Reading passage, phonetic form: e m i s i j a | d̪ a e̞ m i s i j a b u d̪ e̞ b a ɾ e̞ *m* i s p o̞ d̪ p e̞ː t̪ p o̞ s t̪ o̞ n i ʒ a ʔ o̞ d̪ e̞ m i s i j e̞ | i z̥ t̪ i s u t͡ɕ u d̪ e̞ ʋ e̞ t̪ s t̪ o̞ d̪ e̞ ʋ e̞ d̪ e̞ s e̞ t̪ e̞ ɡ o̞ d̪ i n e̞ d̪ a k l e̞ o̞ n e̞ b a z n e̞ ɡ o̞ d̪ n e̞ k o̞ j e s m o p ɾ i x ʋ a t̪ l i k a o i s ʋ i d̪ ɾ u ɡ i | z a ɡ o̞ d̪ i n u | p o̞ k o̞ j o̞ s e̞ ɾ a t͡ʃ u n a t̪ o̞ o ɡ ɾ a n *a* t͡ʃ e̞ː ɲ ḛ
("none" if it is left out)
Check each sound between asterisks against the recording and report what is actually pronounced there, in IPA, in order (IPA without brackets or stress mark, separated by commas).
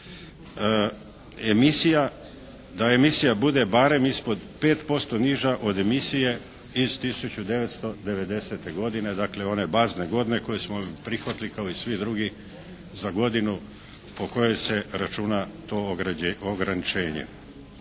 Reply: m, i